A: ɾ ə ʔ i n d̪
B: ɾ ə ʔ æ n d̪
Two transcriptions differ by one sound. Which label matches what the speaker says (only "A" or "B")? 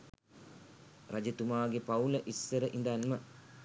A